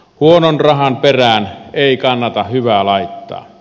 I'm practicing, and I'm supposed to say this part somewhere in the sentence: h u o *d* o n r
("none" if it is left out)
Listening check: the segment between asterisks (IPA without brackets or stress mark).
n